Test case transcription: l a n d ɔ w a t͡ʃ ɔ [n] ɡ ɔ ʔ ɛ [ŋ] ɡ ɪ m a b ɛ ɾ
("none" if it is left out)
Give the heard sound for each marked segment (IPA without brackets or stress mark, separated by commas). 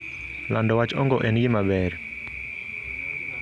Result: ŋ, n